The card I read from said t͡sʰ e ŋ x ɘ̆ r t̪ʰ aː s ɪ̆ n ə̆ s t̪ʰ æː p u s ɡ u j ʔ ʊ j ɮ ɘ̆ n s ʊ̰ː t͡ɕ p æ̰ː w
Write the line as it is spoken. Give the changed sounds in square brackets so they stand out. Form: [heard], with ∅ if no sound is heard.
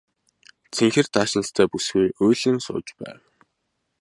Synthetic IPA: t͡sʰ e ŋ x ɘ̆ r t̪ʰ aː [ʃ] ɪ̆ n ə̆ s t̪ʰ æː p u s ɡ u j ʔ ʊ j ɮ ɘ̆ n s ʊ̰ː t͡ɕ p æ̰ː w